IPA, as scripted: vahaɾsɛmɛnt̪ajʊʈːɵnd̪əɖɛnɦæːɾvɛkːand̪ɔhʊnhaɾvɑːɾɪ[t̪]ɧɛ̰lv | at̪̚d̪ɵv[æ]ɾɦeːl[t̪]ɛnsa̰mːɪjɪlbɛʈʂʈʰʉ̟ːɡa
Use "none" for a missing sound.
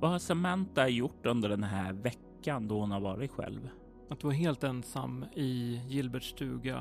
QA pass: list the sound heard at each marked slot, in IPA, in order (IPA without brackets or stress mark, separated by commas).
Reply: t̪, a, t̪